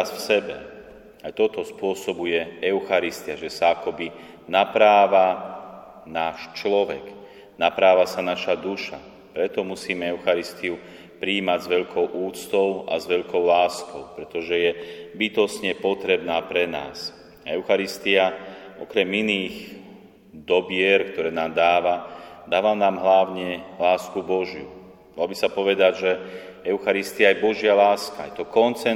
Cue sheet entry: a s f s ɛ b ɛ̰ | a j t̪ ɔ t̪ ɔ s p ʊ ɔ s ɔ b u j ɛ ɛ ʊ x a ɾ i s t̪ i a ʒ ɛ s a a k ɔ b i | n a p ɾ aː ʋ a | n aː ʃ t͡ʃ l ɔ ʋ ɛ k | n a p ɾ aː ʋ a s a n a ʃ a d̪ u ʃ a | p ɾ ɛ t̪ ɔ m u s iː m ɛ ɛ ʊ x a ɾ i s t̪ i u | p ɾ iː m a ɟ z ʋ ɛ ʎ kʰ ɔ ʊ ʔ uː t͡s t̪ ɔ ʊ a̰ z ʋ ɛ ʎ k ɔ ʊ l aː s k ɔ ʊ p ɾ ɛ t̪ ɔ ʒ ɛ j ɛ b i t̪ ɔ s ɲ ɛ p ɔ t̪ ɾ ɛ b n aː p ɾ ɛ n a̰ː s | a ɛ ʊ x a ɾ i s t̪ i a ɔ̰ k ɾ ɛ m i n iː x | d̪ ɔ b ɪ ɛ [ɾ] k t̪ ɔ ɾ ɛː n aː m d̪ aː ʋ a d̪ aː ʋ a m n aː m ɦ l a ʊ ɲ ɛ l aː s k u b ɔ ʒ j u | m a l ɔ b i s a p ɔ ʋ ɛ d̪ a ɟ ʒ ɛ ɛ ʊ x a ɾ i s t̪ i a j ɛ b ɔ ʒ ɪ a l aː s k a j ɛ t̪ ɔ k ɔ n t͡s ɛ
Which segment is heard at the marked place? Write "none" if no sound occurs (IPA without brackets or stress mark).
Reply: ɾ